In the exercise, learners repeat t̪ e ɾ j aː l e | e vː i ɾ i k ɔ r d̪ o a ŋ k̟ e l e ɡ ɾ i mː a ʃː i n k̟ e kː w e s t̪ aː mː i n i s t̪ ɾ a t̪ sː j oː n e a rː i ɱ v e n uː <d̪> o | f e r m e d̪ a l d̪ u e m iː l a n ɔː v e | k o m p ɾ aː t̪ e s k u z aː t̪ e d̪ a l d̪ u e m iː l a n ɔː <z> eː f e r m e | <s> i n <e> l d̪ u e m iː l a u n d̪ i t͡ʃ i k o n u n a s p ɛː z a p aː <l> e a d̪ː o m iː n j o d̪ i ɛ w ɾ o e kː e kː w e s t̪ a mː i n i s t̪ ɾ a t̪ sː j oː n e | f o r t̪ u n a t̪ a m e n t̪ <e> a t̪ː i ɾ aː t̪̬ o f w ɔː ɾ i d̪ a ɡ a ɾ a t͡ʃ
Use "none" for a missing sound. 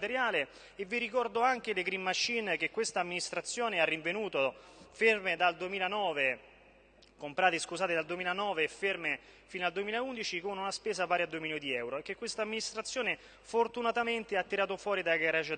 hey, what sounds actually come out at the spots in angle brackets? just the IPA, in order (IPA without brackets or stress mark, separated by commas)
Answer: t̪, v, f, a, ɾ, e